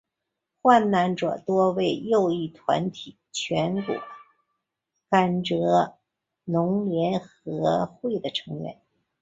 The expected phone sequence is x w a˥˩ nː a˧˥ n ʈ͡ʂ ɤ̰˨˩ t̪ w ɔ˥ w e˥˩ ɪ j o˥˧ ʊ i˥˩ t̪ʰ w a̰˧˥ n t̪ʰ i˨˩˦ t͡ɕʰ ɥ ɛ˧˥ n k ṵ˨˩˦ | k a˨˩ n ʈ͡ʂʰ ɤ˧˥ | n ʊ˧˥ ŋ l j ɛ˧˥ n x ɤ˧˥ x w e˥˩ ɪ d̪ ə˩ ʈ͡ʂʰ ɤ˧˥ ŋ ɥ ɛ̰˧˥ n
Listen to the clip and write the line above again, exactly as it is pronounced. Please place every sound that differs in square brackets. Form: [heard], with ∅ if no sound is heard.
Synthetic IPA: x w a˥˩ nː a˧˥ n ʈ͡ʂ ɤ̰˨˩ t̪ w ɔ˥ w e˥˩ ɪ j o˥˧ ʊ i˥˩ t̪ʰ w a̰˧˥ n t̪ʰ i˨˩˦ t͡ɕʰ ɥ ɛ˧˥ n k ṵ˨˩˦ | k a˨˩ n [ʈ͡ʂ] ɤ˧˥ | n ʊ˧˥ ŋ l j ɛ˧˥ n x ɤ˧˥ x w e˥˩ ɪ d̪ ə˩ ʈ͡ʂʰ ɤ˧˥ ŋ ɥ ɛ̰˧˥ n